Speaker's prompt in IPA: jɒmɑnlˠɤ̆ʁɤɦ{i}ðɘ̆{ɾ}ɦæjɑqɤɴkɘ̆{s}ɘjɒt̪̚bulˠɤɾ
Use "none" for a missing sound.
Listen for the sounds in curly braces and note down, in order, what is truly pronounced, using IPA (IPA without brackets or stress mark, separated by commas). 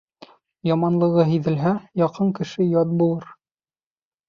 i, l, ʃ